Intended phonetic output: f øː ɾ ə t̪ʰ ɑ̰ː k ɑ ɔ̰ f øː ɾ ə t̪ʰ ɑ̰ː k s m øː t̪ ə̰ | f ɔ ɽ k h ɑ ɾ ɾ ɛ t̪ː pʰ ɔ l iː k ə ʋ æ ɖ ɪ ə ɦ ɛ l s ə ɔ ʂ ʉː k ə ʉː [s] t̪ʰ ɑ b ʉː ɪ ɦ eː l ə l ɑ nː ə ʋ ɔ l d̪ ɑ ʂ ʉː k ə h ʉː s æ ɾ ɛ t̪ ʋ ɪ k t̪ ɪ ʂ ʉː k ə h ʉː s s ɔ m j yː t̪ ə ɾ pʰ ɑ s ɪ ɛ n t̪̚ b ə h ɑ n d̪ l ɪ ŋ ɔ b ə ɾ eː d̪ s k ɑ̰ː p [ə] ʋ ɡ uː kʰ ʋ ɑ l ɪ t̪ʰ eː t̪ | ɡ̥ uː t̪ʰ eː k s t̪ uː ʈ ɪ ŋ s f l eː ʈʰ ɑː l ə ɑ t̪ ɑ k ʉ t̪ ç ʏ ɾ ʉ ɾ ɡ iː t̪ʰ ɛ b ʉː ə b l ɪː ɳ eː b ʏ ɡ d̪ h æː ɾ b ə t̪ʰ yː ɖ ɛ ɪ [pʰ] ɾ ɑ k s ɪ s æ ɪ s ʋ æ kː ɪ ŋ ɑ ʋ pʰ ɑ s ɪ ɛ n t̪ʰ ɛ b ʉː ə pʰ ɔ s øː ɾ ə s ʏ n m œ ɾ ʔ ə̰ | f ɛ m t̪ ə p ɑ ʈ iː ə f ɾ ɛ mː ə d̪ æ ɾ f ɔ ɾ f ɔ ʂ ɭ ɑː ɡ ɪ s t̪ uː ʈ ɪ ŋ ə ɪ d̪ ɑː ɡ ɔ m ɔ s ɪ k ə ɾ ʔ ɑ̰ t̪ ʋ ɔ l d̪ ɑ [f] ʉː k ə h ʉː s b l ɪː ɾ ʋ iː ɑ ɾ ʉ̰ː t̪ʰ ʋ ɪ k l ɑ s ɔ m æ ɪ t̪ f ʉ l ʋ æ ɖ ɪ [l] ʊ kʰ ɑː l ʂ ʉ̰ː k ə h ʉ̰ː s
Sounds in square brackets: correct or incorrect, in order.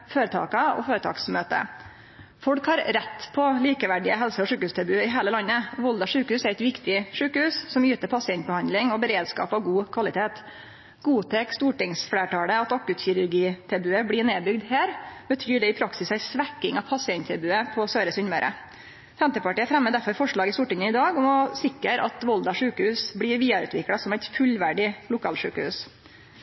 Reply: correct, incorrect: ɑ, correct, incorrect: ʂ, correct

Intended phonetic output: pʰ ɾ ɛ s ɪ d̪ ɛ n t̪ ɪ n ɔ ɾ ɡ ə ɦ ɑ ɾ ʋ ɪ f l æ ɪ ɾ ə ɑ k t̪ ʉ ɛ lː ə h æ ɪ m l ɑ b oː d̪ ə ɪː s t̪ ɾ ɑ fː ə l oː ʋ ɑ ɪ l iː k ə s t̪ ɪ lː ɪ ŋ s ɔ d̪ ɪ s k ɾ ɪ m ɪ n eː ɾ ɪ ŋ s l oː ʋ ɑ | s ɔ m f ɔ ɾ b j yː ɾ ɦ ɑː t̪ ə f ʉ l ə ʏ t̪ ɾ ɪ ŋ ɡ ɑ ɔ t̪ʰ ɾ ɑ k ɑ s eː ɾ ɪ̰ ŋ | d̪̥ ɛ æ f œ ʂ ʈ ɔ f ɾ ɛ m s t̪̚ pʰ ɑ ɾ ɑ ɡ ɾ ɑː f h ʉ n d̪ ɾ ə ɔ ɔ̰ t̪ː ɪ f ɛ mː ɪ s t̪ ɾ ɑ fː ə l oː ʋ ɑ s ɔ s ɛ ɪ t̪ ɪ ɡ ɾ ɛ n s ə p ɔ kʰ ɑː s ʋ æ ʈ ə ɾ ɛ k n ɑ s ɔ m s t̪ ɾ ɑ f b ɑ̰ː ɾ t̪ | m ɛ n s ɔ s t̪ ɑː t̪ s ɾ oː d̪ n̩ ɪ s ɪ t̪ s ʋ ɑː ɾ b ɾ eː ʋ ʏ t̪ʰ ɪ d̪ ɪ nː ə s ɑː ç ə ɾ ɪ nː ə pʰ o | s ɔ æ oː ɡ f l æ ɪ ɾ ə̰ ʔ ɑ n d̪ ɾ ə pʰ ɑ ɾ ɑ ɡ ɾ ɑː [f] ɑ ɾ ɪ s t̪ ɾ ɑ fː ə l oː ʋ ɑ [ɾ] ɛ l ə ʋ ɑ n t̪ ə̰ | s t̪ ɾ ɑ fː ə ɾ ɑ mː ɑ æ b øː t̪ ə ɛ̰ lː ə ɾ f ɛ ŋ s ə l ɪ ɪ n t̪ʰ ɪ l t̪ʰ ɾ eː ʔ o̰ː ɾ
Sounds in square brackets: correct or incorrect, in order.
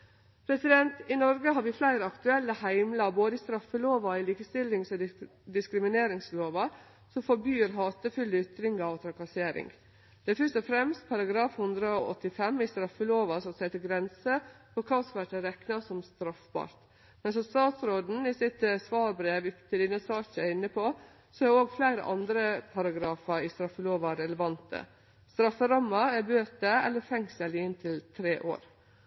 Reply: correct, correct

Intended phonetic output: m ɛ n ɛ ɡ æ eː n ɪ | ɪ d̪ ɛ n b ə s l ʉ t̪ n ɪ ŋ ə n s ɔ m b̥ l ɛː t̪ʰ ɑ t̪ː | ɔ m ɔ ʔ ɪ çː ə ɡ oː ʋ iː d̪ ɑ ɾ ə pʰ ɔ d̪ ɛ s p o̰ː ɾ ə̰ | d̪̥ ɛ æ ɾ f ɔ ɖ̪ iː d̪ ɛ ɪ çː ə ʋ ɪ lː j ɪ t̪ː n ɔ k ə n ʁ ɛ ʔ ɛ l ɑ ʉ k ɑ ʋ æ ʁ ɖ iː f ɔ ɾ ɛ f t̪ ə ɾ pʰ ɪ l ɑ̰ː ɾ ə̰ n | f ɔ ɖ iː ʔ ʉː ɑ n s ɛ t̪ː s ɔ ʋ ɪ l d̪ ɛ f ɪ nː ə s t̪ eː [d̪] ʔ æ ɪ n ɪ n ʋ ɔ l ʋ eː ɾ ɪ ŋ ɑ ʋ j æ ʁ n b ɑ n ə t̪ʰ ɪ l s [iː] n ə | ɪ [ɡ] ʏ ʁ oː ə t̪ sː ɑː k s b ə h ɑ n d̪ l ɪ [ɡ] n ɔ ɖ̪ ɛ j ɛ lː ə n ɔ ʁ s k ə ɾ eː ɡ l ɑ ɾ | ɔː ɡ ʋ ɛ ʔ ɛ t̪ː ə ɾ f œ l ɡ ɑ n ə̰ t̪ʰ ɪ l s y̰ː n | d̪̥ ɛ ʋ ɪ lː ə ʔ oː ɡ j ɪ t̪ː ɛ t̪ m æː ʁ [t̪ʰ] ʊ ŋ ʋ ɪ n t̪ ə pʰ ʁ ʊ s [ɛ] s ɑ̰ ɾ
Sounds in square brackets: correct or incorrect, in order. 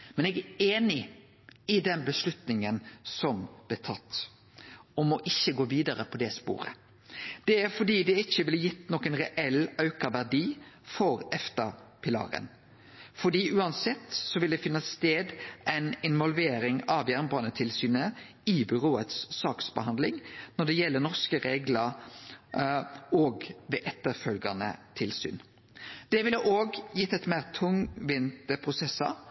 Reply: correct, incorrect: yː, incorrect: b, incorrect: ŋ, correct, correct

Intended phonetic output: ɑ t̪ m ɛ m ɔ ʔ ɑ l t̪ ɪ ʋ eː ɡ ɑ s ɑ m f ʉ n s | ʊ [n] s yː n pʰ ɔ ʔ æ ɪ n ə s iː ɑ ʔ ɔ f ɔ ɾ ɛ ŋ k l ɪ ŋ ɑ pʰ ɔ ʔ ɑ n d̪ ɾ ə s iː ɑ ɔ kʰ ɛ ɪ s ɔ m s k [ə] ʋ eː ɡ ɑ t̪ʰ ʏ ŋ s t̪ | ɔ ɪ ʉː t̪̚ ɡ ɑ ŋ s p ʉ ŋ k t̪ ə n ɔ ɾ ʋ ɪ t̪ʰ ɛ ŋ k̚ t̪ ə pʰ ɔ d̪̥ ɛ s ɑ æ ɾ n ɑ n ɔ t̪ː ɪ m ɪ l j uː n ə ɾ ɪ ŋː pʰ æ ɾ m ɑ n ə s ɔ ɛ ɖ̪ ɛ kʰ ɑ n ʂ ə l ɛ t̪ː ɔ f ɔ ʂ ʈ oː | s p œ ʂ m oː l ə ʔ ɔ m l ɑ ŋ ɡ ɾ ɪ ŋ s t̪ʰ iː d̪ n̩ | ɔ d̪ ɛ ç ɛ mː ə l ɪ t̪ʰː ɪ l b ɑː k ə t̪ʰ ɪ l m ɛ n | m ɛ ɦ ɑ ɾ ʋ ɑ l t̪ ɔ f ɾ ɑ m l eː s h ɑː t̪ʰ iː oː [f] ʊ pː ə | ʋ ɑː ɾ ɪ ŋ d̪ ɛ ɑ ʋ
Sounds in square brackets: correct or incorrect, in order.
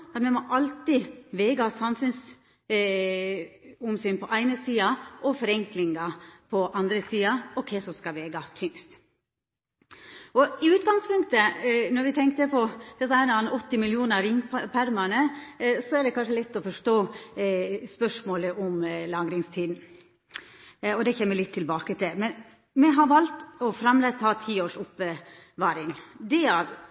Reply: incorrect: m, incorrect: ɑ, incorrect: ʂ

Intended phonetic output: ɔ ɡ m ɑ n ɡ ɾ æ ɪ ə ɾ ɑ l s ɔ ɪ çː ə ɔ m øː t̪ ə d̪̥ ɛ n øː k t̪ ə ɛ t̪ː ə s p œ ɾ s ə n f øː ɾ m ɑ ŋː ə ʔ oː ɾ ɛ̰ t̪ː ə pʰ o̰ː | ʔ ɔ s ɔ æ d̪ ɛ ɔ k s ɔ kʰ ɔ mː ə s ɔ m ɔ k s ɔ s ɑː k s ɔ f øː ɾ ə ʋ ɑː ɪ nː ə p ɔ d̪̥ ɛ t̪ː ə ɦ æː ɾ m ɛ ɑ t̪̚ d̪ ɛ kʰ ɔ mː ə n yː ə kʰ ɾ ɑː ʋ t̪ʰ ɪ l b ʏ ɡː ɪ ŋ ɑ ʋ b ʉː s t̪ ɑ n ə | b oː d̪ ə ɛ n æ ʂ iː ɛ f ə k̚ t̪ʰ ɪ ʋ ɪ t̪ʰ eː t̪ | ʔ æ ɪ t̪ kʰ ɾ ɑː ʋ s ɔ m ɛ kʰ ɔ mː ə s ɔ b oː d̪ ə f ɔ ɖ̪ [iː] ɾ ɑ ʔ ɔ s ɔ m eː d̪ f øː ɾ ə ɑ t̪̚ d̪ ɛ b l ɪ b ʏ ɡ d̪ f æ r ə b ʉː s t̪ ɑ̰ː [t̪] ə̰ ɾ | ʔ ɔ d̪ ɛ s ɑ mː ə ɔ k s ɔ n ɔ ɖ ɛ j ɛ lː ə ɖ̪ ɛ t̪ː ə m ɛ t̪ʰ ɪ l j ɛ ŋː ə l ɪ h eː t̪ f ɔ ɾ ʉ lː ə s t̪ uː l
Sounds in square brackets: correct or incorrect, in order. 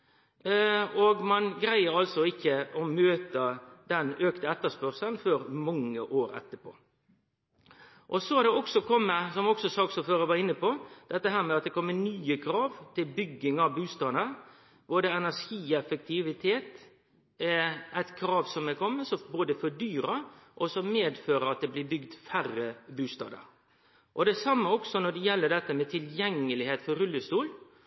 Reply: incorrect: yː, incorrect: d̪

